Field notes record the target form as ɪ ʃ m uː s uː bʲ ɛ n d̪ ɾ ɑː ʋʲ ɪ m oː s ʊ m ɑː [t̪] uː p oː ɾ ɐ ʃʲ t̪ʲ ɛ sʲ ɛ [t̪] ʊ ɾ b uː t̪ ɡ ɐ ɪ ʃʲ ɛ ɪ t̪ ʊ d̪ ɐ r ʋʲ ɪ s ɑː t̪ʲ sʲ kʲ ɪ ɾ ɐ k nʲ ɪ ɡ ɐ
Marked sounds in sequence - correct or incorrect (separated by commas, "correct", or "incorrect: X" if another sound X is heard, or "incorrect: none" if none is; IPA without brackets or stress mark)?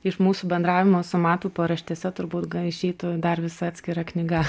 correct, correct